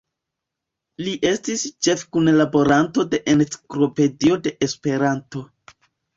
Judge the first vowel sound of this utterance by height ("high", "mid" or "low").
high